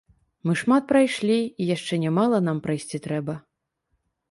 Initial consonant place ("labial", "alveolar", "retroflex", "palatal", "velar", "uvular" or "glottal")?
labial